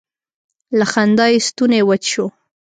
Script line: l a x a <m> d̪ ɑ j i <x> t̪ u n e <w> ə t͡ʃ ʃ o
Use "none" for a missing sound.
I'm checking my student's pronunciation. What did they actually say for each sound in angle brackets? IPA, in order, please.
n, s, w

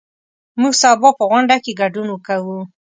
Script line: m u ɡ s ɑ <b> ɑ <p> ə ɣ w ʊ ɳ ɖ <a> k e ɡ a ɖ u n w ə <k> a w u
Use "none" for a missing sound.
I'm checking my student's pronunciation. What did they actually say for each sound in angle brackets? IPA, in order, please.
b, p, a, k

